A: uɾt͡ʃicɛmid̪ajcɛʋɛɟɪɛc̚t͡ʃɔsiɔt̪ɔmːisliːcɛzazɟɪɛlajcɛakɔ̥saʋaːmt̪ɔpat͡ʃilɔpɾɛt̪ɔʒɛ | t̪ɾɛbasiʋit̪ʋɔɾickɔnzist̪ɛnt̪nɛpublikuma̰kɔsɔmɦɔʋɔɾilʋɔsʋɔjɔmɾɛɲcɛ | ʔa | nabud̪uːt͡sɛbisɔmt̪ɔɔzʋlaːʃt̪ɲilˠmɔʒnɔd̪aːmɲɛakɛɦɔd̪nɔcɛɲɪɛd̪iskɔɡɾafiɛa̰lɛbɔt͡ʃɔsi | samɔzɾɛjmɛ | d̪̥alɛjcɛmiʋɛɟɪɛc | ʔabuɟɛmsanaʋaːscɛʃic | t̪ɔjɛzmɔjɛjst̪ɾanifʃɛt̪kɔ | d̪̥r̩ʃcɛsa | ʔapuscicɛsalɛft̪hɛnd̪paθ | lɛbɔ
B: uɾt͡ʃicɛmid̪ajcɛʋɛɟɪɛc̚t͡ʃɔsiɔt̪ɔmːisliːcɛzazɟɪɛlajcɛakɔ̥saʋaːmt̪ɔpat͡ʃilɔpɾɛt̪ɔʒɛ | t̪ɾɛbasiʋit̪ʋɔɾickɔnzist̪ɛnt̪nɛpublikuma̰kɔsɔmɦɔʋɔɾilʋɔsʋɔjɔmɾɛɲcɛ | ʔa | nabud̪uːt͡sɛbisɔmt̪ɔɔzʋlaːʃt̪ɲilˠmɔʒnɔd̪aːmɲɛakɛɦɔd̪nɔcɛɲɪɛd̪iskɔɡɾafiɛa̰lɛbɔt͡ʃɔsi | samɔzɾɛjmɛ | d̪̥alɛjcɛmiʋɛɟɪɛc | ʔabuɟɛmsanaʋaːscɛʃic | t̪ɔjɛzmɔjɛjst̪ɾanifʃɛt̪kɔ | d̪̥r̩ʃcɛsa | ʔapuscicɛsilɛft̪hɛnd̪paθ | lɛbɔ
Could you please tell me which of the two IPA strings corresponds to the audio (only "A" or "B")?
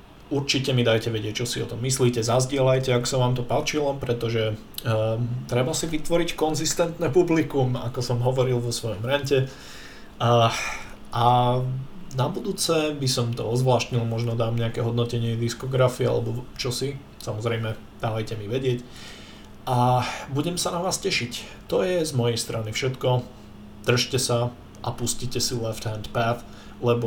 B